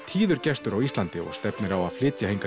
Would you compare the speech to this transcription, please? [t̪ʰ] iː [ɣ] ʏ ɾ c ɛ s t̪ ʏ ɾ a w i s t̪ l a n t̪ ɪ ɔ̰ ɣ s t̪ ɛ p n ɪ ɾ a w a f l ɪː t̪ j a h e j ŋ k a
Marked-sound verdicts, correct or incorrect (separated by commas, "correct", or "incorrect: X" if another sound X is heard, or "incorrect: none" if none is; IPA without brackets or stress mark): correct, incorrect: ð